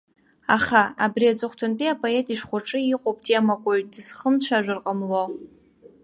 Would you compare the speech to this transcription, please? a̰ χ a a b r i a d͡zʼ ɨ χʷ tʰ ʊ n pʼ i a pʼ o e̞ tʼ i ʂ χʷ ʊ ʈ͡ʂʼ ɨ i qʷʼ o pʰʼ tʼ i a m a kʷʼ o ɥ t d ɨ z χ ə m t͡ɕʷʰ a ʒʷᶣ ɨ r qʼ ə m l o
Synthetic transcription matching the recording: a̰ χ a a b r i a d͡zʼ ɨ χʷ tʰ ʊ n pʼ i a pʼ o e̞ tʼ i ʂ χʷ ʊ ʈ͡ʂʼ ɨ i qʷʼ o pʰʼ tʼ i a m a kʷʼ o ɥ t d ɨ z χ ə m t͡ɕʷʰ a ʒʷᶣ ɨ r qʼ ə m l o